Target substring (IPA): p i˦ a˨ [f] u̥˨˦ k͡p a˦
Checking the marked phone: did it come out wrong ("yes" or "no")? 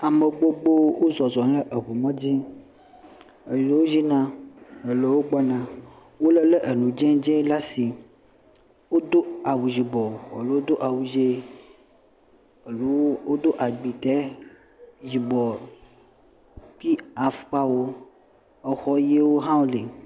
no